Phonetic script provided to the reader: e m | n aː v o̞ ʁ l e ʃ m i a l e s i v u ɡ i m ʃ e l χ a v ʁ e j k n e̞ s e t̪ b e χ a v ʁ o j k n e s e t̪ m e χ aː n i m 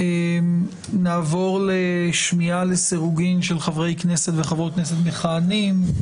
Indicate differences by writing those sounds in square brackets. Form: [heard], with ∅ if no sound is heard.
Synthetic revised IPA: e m | n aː v o̞ ʁ l e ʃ m i a l e s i [ʁ] u ɡ i m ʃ e l χ a v ʁ e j k n e̞ s e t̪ [v] e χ a v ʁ o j k n e s e t̪ m e χ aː n i m